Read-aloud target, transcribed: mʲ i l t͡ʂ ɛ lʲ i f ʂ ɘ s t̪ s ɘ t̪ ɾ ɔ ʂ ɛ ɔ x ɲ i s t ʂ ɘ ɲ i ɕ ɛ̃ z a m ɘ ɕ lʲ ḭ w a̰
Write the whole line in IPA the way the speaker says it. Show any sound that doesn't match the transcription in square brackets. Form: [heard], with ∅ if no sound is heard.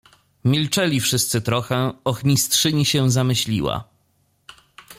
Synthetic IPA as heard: mʲ i l t͡ʂ ɛ lʲ i f ʂ ɘ s t̪ s ɘ t̪ ɾ ɔ [x] ɛ ɔ x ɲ i s t ʂ ɘ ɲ i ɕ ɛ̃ z a m ɘ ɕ lʲ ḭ w a̰